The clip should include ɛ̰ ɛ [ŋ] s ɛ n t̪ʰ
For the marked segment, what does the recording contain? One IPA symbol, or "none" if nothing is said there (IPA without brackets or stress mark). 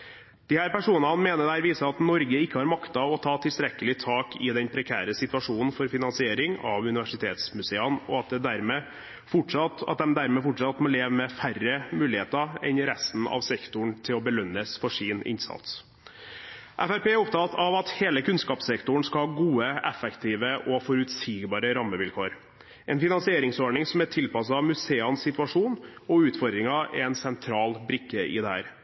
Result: n